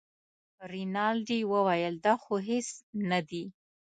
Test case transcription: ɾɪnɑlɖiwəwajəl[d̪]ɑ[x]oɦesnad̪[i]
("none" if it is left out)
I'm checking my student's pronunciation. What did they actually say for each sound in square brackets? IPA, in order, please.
d̪, x, i

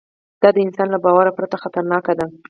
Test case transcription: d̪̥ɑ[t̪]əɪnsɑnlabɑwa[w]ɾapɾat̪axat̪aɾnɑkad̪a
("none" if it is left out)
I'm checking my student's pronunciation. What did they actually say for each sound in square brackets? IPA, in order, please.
d̪, none

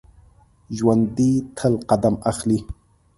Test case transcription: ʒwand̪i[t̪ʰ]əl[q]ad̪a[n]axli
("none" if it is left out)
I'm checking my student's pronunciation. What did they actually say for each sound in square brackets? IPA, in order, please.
t̪ʰ, q, m

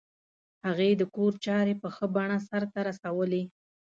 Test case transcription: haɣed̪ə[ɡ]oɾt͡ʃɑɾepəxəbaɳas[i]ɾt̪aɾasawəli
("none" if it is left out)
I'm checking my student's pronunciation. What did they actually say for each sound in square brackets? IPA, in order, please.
k, a

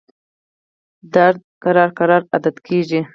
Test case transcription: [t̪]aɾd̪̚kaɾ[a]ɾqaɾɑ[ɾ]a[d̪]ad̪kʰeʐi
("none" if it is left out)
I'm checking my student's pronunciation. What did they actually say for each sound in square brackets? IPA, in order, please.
d̪, ɑ, ɾ, d̪

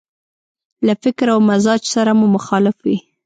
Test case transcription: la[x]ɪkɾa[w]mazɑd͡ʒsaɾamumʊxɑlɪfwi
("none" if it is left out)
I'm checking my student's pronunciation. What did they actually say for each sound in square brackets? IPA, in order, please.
f, w

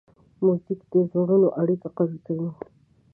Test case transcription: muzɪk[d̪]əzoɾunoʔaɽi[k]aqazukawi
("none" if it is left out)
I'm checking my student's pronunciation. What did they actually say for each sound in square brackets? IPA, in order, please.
d̪, k

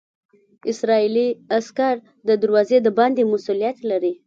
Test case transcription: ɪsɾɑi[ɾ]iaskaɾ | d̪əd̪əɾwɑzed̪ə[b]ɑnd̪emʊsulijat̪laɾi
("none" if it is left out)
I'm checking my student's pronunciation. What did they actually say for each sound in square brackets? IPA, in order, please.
l, b

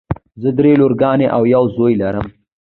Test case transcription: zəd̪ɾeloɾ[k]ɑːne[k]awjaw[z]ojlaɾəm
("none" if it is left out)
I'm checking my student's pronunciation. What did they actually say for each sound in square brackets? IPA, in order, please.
ɡ, ʔ, z

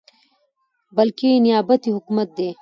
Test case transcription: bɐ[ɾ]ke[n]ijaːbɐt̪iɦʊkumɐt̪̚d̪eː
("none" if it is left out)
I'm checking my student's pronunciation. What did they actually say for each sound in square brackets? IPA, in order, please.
l, n

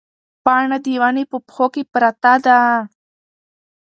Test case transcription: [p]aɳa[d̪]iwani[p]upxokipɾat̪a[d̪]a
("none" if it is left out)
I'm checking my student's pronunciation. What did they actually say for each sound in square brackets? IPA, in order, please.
p, d̪, p, d̪

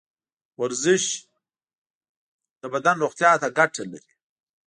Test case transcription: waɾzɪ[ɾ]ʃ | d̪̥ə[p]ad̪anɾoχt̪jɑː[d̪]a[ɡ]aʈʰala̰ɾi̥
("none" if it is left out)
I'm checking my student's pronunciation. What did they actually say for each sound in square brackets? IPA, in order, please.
none, b, t̪, ɡ

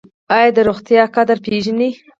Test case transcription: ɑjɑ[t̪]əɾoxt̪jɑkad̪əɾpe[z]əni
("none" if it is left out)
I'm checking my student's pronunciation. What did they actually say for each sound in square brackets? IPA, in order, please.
d̪, ʒ

